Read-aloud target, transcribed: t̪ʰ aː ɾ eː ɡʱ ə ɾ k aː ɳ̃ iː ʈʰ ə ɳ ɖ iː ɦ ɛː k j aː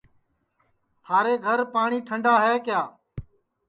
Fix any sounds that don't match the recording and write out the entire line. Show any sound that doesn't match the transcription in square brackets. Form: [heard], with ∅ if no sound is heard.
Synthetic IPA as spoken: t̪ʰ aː ɾ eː ɡʱ ə ɾ [p] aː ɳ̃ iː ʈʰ ə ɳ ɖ [aː] ɦ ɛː k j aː